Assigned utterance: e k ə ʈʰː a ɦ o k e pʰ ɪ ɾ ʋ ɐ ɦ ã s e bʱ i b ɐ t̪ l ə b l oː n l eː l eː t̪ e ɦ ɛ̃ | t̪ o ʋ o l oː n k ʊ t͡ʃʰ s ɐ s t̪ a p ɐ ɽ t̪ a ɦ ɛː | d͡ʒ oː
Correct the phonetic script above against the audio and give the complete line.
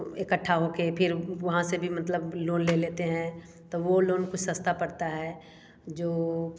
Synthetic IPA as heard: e k ə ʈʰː a ɦ o k e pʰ ɪ ɾ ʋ ɐ ɦ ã s e bʱ i m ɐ t̪ l ə b l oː n l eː l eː t̪ e ɦ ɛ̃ | t̪ o ʋ o l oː n k ʊ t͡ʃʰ s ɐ s t̪ a p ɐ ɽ t̪ a ɦ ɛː | d͡ʒ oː